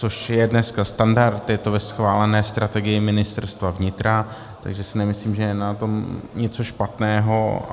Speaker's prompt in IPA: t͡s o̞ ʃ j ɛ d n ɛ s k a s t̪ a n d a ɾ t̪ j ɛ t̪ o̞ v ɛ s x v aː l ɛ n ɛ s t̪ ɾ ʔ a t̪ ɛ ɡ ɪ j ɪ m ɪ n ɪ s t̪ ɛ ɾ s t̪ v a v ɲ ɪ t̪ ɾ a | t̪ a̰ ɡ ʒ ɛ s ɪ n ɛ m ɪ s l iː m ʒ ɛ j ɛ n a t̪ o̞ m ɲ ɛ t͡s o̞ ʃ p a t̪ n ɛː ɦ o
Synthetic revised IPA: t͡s o̞ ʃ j ɛ d n ɛ s k a s t̪ a n d a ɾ t̪ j ɛ t̪ o̞ v ɛ s x v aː l ɛ n ɛː s t̪ ɾ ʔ a t̪ ɛ ɡ ɪ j ɪ m ɪ n ɪ s t̪ ɛ ɾ s t̪ v a v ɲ ɪ t̪ ɾ a | t̪ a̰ ɡ ʒ ɛ s ɪ n ɛ m ɪ s l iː m ʒ ɛ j ɛ n a t̪ o̞ m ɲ ɛ t͡s o̞ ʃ p a t̪ n ɛː ɦ o